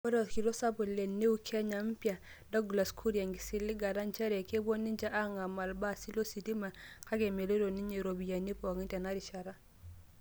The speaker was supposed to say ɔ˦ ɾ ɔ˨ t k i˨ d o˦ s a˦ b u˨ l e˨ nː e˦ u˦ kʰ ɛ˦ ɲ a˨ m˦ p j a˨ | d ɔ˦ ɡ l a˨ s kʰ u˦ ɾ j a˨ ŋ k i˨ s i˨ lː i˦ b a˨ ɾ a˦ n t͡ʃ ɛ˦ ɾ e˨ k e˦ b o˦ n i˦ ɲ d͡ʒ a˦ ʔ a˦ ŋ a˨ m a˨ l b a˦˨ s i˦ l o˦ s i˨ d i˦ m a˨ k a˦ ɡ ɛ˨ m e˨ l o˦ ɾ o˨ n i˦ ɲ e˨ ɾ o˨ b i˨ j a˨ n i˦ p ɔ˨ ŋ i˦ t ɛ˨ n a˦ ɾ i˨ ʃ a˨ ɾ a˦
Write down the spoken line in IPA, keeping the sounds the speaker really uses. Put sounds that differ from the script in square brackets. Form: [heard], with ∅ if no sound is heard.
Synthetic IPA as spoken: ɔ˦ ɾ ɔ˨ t k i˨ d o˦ s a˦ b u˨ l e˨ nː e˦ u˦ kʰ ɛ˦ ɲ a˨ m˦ p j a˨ | d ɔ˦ ɡ l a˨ s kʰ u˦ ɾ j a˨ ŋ [ɡ] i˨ s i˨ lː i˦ [ɡ] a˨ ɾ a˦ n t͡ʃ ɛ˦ ɾ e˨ k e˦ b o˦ n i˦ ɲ d͡ʒ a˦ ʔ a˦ ŋ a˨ m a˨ l b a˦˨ s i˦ l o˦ s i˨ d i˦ m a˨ k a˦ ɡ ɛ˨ m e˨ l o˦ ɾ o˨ n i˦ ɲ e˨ ɾ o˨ b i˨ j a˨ n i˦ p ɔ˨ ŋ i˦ t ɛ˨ n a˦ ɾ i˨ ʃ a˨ ɾ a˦